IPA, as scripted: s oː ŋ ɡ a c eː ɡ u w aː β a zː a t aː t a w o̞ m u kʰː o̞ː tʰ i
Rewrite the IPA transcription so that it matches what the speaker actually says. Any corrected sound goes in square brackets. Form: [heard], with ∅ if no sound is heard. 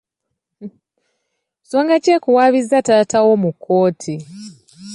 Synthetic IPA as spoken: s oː ŋ ɡ a c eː [k] u w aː β [i] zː a t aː t a w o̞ m u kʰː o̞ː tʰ i